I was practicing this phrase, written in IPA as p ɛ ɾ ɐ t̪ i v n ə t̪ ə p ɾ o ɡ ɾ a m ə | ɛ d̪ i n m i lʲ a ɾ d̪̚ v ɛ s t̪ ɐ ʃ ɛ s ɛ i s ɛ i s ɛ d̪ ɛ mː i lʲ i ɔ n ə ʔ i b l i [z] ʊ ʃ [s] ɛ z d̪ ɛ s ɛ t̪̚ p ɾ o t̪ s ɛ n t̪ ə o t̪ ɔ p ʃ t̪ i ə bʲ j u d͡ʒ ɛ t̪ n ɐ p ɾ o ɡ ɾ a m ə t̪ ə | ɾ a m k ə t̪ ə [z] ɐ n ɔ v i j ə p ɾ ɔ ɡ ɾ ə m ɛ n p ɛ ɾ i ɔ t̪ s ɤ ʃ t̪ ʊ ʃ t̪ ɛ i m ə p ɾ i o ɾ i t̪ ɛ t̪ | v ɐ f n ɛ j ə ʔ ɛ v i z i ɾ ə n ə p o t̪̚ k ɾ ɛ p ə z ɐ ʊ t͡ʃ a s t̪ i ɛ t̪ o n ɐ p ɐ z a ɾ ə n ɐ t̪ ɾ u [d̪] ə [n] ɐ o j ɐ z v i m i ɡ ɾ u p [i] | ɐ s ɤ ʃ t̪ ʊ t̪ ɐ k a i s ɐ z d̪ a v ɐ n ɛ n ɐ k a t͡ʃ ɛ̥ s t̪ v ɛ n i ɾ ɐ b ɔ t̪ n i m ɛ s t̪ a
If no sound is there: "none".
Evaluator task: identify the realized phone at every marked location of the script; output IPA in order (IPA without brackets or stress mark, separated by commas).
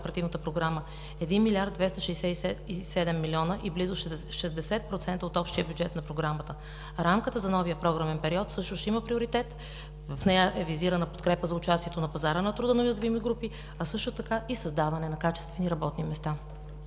z, ʃ, z, d̪, n, i